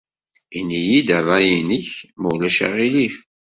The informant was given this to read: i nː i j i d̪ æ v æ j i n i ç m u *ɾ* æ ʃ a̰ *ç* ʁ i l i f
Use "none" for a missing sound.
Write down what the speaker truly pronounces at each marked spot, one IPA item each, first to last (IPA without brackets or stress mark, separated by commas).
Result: l, none